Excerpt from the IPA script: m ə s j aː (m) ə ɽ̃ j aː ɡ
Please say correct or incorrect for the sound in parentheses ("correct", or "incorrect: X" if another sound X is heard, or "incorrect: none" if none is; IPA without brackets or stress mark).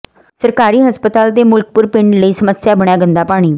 incorrect: b